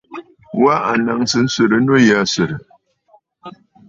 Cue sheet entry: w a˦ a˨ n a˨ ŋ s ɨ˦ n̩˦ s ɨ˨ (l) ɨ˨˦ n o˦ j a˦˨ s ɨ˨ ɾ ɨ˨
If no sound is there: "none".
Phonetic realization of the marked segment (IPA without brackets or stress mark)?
ɾ